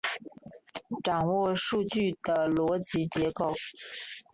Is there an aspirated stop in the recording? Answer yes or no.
no